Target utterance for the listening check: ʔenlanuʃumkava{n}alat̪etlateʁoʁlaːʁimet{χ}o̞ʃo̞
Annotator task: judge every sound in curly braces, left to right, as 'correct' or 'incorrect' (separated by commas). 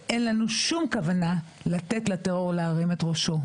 correct, incorrect